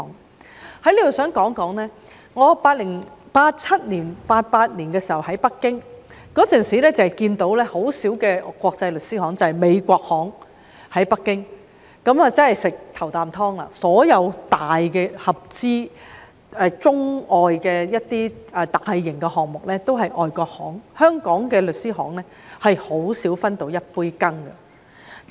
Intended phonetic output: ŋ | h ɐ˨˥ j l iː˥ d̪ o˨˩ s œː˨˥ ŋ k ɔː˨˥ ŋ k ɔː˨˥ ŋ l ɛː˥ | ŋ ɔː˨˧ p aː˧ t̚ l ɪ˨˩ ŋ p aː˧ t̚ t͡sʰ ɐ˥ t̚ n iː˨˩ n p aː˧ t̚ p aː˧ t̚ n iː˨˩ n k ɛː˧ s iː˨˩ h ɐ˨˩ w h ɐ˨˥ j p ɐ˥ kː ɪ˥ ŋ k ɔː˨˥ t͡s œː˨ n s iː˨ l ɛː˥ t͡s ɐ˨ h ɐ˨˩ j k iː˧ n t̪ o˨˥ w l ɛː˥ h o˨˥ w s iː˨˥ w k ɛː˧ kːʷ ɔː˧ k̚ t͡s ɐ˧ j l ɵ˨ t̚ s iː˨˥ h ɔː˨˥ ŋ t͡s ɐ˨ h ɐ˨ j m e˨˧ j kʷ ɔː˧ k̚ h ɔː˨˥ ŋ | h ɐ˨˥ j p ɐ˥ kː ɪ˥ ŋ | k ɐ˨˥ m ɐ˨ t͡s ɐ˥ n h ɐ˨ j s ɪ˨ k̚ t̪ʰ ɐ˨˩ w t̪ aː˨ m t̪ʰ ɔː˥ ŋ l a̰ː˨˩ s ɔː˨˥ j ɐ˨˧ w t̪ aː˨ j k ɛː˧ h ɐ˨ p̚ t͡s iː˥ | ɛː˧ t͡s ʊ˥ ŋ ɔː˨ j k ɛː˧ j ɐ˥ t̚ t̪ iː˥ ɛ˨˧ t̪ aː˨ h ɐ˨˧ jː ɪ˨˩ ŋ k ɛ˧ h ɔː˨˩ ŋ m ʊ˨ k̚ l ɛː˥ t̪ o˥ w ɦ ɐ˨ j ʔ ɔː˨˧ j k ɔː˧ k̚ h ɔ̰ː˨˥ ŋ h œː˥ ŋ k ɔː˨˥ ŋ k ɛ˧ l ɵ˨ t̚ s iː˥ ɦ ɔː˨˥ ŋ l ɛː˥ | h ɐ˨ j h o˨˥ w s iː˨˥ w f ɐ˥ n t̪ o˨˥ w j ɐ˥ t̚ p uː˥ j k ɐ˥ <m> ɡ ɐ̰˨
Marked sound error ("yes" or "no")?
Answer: yes